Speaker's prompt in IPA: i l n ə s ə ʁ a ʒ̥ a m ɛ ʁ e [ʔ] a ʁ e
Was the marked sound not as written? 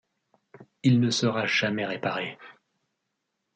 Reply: yes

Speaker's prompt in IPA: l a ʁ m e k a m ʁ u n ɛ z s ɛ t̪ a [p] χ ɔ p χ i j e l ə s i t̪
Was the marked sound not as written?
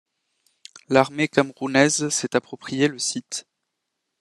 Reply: no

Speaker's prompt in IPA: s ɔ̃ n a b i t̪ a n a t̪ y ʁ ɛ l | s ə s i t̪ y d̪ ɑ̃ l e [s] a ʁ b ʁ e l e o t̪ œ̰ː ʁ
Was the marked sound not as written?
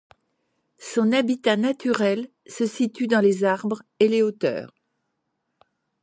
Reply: yes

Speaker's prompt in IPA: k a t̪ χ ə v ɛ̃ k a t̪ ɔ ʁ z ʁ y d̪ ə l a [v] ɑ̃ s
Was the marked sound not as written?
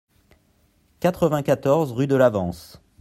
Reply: no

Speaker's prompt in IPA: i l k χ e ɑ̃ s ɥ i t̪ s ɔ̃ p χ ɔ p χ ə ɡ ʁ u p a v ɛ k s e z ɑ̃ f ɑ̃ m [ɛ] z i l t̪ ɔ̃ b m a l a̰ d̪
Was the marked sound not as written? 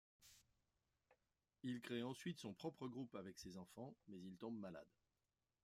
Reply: no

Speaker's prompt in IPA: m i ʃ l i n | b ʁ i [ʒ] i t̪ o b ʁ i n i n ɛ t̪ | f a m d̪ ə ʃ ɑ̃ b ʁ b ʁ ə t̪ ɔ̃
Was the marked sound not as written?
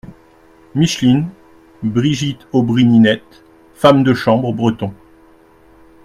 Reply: no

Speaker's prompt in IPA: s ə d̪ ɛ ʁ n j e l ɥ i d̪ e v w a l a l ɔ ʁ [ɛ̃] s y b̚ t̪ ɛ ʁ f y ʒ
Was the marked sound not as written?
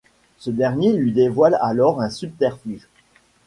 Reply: no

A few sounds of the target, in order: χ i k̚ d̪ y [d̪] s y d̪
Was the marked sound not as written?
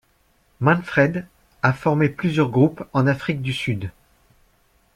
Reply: yes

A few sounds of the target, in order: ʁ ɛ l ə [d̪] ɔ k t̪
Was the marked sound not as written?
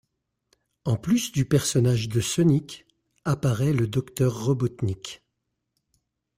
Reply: no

